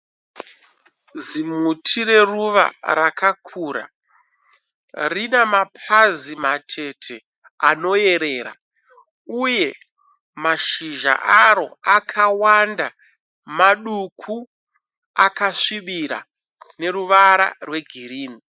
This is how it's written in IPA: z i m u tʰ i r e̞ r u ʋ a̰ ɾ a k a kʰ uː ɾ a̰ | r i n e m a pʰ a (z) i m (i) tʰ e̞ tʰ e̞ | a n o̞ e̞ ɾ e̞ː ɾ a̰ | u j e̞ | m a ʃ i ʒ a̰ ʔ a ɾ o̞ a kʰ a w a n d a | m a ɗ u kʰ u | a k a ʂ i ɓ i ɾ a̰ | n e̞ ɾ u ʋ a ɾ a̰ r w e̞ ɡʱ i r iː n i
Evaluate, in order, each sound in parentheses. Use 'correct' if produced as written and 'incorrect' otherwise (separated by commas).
correct, incorrect